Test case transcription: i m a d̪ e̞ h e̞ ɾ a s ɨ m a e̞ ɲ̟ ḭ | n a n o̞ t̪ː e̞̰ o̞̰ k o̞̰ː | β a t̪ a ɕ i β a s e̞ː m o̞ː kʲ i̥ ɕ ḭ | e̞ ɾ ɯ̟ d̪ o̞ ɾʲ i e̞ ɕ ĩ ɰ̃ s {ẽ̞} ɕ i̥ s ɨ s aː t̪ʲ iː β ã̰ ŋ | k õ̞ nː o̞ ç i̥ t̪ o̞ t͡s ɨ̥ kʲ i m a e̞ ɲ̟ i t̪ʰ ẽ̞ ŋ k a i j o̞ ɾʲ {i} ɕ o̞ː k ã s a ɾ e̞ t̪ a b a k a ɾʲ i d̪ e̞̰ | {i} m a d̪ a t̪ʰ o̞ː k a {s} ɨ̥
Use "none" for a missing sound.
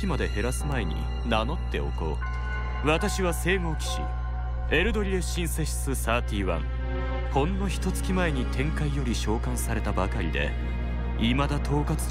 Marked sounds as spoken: e̞, i, i, t͡s

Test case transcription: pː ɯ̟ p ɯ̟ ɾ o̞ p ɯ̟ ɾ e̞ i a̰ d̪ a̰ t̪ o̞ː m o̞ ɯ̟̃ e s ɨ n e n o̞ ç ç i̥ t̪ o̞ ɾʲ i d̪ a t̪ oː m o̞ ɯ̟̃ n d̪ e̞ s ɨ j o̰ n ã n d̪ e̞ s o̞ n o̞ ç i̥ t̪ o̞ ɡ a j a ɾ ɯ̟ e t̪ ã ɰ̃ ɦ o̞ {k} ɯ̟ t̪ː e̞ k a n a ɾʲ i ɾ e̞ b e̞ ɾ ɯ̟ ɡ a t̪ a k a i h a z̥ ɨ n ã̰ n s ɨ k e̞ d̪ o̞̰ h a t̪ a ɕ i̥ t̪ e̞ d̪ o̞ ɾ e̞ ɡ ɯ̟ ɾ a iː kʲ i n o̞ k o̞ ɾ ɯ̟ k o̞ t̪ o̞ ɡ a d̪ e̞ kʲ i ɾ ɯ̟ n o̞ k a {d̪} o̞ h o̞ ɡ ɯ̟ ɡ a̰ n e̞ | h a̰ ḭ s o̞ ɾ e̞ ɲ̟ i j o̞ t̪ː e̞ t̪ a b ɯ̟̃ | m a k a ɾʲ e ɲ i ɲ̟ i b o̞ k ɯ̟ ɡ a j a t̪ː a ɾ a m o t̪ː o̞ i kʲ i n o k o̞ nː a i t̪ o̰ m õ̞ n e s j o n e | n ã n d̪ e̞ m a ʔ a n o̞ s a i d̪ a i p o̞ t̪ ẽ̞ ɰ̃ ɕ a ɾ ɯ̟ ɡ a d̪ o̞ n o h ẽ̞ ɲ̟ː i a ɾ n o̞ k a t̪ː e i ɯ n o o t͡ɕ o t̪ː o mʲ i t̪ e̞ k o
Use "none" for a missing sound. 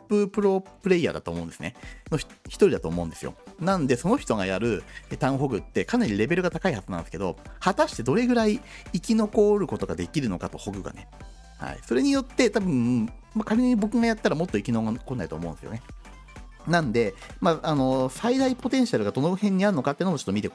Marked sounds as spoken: ɡ, t̪

